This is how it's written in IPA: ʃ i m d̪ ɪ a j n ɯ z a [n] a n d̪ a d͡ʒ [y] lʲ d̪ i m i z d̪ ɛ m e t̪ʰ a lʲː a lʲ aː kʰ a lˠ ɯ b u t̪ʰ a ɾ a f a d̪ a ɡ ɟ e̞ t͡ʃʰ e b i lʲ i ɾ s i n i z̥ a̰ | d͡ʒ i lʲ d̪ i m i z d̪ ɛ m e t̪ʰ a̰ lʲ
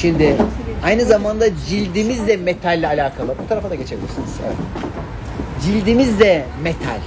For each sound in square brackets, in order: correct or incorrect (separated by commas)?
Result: incorrect, incorrect